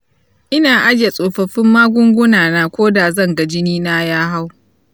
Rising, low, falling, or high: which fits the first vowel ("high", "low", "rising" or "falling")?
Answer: high